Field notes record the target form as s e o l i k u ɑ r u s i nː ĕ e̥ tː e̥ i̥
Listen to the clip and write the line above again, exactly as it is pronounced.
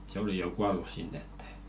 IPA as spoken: s e o l i k u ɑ l u s i nː ĕ e̥ tː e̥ i̥